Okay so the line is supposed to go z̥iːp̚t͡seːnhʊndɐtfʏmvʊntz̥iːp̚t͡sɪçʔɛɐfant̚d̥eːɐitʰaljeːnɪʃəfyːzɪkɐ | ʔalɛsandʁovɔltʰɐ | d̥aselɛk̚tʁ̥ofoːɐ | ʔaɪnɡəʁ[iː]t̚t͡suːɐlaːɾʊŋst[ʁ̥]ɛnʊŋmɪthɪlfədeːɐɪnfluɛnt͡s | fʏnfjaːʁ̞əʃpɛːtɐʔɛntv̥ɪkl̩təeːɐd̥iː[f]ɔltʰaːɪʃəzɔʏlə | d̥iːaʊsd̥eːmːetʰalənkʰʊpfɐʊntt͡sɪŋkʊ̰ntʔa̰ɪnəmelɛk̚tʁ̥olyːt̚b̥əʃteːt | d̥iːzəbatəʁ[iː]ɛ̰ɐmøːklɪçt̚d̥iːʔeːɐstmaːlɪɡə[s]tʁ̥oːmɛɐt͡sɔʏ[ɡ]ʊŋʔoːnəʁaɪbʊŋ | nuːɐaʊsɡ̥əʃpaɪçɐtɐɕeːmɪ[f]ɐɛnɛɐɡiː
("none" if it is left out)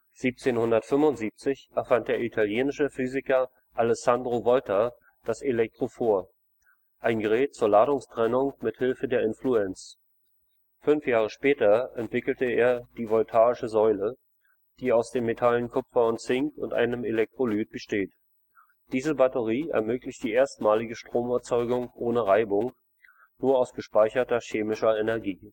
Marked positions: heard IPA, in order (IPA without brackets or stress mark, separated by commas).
ɛː, ʁ̥, v, iː, ʃ, ɡ, ʃ